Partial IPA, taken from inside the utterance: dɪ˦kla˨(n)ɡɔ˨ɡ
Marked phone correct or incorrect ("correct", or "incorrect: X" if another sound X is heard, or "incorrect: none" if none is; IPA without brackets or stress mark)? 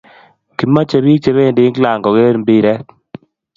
incorrect: ŋ